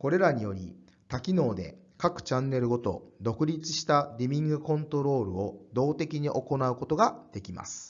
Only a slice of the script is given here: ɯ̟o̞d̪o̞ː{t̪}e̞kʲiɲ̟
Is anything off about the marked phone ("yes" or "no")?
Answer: no